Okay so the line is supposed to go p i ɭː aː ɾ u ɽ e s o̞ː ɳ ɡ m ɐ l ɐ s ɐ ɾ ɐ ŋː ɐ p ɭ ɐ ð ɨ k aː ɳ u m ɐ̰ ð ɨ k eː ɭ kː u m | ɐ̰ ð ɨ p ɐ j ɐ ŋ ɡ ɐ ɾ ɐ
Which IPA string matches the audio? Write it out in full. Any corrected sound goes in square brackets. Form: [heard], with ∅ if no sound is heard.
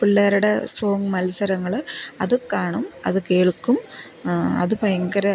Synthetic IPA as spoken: p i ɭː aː ɾ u ɽ e s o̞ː [ŋ] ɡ m ɐ l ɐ s ɐ ɾ ɐ ŋː ɐ [∅] ɭ ɐ ð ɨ k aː ɳ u m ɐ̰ ð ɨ k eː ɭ kː u m | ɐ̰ ð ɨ p ɐ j ɐ ŋ ɡ ɐ ɾ ɐ

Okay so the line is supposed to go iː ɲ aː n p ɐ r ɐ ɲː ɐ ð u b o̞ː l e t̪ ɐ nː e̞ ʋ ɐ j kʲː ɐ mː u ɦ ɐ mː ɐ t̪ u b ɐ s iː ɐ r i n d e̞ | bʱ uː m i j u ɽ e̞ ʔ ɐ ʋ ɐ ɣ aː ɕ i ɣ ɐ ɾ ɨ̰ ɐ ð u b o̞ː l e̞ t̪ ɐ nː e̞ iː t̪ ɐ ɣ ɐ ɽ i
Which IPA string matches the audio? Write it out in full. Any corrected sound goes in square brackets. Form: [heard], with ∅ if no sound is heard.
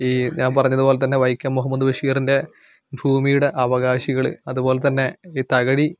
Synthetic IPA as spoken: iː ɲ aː n p ɐ r ɐ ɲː ɐ ð u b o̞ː l e t̪ ɐ nː e̞ ʋ ɐ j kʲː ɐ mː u ɦ ɐ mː ɐ [d̪] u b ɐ [ʂ] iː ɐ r i n d e̞ | bʱ uː m i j u ɽ e̞ ʔ ɐ ʋ ɐ ɣ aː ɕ i ɣ ɐ [ɭ] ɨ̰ ɐ ð u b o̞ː l e̞ t̪ ɐ nː e̞ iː t̪ ɐ ɣ ɐ ɽ i

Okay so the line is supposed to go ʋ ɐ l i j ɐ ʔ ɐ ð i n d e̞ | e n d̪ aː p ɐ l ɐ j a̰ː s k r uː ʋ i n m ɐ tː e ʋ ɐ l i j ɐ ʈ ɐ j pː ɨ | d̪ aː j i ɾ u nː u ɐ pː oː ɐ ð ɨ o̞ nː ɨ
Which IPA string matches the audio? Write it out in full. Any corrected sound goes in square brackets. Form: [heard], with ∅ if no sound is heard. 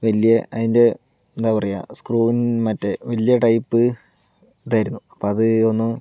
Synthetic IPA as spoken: ʋ ɐ l i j ɐ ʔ ɐ ð i n d e̞ | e n d̪ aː p ɐ [r] ɐ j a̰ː s k r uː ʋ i n m ɐ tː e ʋ ɐ l i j ɐ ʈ ɐ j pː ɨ | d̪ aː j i ɾ u nː u ɐ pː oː ɐ ð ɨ o̞ nː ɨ

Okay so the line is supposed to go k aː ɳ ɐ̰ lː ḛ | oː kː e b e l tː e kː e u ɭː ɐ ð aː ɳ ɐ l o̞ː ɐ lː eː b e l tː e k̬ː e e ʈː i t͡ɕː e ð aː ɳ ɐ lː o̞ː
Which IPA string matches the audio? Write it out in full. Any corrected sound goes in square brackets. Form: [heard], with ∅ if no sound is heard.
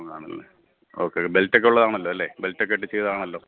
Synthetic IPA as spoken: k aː ɳ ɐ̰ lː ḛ | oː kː e b e l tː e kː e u ɭː ɐ ð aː ɳ ɐ [lː] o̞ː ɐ lː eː b e l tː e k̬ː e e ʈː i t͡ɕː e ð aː ɳ ɐ lː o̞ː

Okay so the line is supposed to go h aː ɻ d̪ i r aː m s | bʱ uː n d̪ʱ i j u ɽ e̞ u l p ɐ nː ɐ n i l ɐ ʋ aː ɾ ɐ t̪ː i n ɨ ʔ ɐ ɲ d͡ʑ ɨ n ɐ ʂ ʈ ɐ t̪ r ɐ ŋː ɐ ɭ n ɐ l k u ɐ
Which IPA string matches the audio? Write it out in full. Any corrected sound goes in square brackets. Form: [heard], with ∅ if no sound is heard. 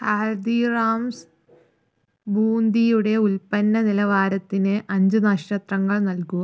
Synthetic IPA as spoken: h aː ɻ d̪ i r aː m s | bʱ uː n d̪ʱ i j u ɽ e̞ u l p ɐ nː ɐ n i l ɐ ʋ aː ɾ ɐ t̪ː i n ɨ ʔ ɐ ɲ d͡ʑ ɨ n ɐ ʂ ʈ ɐ t̪ r ɐ ŋː ɐ ɭ n ɐ l k u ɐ

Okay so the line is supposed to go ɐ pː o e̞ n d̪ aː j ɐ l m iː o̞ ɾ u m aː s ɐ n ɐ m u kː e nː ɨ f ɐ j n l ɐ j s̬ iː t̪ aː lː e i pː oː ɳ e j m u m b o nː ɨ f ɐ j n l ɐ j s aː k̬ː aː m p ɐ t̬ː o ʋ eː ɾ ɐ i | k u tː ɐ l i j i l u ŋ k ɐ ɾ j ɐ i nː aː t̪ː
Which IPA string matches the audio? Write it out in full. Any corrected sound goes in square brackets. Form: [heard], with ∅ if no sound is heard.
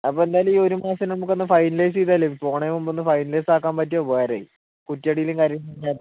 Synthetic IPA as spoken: ɐ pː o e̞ n d̪ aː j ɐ l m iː o̞ ɾ u m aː s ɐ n ɐ m u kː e nː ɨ f ɐ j n l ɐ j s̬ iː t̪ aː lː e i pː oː ɳ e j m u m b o nː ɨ f ɐ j n l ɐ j s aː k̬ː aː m p ɐ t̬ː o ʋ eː ɾ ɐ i | k u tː ɐ [ɽ] i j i l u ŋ k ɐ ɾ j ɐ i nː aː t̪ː

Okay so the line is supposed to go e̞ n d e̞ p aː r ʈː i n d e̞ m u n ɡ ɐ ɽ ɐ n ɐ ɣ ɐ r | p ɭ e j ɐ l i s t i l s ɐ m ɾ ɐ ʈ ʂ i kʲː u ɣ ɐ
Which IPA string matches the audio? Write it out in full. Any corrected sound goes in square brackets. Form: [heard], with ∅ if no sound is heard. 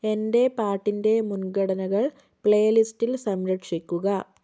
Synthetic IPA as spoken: e̞ n d e̞ p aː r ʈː i n d e̞ m u n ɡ ɐ ɽ ɐ n ɐ ɣ ɐ [ɭ] | p ɭ e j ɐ l i s t i l s ɐ m ɾ ɐ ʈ ʂ i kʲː u ɣ ɐ

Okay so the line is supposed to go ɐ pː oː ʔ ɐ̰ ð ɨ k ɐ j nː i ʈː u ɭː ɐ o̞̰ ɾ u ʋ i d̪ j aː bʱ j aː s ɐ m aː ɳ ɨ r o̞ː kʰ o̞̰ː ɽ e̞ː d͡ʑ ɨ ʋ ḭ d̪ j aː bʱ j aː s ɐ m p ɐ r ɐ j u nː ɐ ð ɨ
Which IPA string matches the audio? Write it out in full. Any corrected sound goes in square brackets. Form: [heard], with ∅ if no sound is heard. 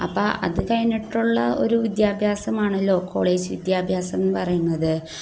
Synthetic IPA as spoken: ɐ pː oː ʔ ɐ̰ ð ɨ k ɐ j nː i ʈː u ɭː ɐ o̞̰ ɾ u ʋ i d̪ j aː bʱ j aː s ɐ m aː ɳ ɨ [l] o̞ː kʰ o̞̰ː [ɭ] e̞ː d͡ʑ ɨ ʋ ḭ d̪ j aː bʱ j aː s ɐ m p ɐ r ɐ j u nː ɐ ð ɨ

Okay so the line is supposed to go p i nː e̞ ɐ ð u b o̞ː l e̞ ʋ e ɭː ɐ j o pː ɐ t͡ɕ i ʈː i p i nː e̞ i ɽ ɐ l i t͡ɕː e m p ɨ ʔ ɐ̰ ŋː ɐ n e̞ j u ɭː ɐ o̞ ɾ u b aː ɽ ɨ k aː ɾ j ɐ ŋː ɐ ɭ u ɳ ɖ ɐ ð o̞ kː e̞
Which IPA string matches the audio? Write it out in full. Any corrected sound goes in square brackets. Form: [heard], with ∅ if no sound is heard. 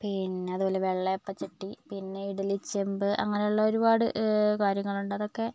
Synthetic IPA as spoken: p i nː e̞ ɐ ð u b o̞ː l e̞ ʋ e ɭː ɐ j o pː ɐ t͡ɕ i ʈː i p i nː e̞ i ɽ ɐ l i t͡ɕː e m [b] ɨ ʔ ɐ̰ ŋː ɐ n e̞ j u ɭː ɐ o̞ ɾ u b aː ɽ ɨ k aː ɾ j ɐ ŋː ɐ ɭ u ɳ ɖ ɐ ð o̞ kː e̞

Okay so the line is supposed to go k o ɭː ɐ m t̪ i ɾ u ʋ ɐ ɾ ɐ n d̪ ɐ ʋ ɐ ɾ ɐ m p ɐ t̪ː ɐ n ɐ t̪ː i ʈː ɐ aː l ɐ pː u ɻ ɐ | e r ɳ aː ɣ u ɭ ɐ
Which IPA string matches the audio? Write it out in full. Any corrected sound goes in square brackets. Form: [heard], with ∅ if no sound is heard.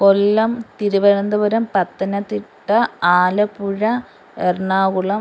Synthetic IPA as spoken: k o [lː] ɐ m t̪ i ɾ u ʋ ɐ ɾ ɐ n d̪ ɐ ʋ ɐ ɾ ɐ m p ɐ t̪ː ɐ n ɐ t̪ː i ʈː ɐ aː l ɐ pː u ɻ ɐ | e r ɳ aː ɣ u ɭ ɐ

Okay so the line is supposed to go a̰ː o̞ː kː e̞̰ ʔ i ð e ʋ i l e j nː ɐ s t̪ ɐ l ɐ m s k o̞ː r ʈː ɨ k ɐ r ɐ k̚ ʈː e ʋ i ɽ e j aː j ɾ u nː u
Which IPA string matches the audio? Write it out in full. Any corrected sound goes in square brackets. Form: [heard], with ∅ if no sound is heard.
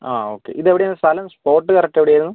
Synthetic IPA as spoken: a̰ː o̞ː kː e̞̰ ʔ i ð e ʋ i [ɽ] e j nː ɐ s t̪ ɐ l ɐ m s [p] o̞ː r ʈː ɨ k ɐ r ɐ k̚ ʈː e ʋ i ɽ e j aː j ɾ u nː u

